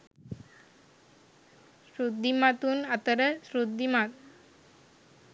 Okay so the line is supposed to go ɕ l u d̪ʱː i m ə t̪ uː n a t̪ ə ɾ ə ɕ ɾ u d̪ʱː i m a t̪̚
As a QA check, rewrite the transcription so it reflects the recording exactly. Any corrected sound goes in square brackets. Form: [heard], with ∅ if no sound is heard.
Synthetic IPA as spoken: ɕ [ɾ] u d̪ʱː i m [a] t̪ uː n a t̪ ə ɾ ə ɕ ɾ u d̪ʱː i m a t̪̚